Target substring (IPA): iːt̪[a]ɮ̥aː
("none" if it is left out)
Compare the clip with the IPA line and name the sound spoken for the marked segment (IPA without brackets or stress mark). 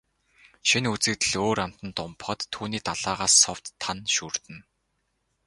a